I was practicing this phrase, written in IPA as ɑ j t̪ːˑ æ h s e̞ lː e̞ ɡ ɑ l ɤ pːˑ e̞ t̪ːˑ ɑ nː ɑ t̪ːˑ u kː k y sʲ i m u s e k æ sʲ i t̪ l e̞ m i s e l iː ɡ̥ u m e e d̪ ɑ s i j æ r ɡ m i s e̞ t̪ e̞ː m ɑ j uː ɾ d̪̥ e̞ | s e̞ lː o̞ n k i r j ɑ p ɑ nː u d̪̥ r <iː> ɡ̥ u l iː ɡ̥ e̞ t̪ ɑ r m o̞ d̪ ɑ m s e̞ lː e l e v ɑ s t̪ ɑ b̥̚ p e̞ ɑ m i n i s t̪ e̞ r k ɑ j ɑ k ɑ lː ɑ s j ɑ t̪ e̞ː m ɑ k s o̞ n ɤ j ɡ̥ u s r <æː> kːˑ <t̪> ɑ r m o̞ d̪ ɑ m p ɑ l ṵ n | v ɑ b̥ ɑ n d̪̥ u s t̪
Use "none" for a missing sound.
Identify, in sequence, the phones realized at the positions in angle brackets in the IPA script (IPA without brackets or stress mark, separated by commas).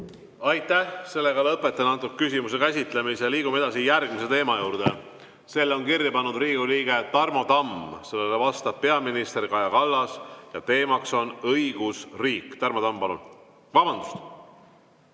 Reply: iː, iː, t̪